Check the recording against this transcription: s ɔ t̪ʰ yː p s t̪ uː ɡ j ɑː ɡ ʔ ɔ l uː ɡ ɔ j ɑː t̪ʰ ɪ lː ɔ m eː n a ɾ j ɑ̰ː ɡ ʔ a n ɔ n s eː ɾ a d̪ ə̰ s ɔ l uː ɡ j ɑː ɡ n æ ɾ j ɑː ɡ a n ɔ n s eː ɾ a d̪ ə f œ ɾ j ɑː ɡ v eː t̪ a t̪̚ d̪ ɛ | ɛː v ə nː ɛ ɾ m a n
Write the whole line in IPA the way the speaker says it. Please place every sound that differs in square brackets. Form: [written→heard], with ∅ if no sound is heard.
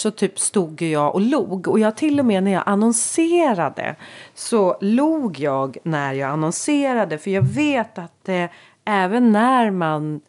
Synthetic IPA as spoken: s ɔ t̪ʰ yː p s t̪ uː ɡ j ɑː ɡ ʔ ɔ l uː ɡ ɔ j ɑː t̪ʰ ɪ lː ɔ m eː n [a→æ] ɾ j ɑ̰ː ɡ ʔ a n ɔ n s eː ɾ a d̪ ə̰ s ɔ l uː ɡ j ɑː ɡ n æ ɾ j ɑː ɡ a n ɔ n s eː ɾ a d̪ ə f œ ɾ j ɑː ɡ v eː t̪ a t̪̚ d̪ ɛ | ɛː v ə nː [ɛ→æ] ɾ m a n